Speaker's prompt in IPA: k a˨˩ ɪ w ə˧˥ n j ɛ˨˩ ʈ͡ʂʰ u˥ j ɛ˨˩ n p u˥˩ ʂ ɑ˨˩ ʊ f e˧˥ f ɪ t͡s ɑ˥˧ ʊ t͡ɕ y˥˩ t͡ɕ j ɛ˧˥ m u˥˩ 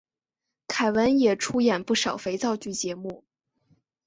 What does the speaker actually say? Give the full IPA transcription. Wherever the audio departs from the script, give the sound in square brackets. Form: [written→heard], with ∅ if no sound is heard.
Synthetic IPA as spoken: [k→kʰ] a˨˩ ɪ w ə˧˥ n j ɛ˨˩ ʈ͡ʂʰ u˥ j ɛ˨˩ n p u˥˩ ʂ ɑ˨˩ ʊ f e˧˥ [f→∅] ɪ t͡s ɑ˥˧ ʊ t͡ɕ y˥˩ t͡ɕ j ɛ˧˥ m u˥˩